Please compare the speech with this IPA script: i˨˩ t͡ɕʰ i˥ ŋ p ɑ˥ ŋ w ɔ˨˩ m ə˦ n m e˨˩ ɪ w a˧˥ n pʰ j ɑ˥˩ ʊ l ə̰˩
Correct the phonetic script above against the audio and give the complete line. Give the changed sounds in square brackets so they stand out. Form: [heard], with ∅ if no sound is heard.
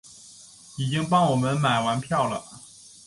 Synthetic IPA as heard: i˨˩ [t͡ɕ] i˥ ŋ p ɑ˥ ŋ w ɔ˨˩ m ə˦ n m [a˨˩] ɪ w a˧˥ n pʰ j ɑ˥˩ ʊ l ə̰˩